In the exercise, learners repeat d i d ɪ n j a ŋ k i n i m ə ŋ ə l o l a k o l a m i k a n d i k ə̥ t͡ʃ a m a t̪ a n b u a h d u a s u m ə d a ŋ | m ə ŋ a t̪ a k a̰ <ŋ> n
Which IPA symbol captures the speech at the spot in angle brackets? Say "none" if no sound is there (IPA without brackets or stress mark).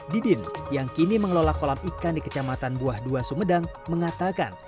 none